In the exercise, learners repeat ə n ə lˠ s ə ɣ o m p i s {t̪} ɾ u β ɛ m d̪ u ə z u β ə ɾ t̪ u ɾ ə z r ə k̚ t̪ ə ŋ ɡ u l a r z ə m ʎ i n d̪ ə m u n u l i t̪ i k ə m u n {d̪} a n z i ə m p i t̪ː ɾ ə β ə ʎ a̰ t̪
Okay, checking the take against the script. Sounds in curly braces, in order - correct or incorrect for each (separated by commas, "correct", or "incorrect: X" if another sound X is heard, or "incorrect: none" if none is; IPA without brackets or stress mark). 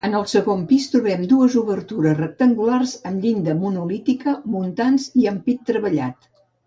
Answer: correct, incorrect: t̪